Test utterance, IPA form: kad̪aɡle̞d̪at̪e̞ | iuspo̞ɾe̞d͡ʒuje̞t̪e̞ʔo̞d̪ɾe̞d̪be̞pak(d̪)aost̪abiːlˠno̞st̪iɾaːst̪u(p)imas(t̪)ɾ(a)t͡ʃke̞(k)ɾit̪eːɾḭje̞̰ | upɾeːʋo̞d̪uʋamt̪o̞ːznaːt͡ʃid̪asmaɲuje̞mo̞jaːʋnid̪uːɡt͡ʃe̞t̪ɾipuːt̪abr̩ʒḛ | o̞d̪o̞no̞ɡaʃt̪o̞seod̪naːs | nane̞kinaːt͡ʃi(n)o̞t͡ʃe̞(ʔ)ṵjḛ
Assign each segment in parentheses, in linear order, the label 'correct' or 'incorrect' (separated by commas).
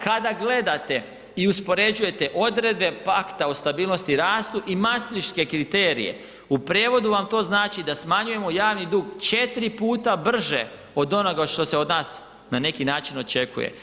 incorrect, incorrect, correct, incorrect, correct, correct, incorrect